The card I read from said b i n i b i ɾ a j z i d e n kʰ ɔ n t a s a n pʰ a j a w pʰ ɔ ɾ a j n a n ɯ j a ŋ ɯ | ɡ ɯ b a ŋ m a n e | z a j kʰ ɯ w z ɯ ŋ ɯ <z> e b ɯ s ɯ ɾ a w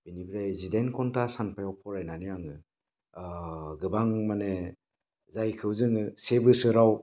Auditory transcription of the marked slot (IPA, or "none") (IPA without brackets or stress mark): s